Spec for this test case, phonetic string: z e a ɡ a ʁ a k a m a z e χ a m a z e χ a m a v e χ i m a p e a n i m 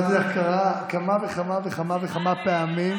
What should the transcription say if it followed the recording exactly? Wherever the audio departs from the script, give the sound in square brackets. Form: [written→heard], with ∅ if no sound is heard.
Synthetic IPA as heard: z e a [ɡ→k] a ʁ a k a m a [z→v] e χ a m a [z→v] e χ a m a v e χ [i→a] m a p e a [n→m] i m